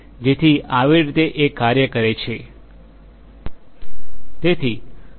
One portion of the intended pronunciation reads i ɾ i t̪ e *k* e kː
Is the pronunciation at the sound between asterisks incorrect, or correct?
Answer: incorrect